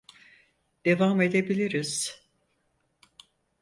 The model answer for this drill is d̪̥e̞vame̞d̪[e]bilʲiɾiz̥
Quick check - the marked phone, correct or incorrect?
correct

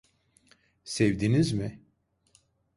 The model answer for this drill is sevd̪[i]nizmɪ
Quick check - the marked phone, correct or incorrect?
correct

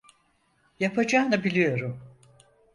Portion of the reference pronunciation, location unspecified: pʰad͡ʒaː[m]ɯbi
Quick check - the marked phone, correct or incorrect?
incorrect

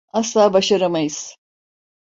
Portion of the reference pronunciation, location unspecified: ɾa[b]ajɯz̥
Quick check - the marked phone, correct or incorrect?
incorrect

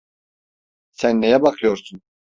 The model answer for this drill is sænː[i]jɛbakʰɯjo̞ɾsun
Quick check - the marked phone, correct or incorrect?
incorrect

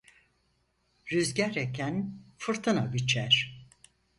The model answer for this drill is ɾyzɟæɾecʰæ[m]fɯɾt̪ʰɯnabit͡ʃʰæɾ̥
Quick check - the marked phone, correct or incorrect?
incorrect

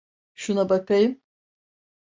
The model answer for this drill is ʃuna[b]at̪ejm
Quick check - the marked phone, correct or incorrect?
correct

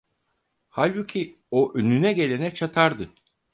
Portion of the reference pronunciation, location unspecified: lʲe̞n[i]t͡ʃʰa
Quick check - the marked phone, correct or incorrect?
incorrect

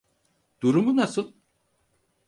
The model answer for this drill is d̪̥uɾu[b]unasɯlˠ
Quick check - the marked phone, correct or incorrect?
incorrect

